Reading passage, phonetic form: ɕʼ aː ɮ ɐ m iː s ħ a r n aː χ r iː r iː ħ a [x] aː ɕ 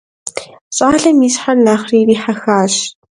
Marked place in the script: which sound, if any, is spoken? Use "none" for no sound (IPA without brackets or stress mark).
x